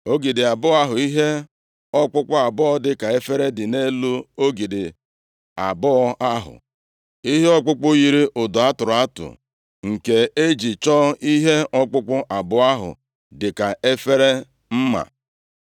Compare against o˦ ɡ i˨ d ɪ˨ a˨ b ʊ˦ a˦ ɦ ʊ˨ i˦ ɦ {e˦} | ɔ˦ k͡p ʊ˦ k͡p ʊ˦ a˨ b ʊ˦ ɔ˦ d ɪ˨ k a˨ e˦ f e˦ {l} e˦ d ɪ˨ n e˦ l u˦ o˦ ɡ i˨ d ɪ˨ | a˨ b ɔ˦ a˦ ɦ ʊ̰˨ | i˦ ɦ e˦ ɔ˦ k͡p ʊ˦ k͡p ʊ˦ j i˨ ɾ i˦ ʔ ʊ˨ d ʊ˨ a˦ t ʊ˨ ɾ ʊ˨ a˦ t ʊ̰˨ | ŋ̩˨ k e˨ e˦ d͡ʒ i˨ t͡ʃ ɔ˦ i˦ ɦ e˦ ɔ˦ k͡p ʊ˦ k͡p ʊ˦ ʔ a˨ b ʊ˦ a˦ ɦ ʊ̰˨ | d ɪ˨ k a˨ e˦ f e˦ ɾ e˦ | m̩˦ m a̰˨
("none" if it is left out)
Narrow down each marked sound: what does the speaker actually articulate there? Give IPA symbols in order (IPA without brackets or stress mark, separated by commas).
e˦, ɾ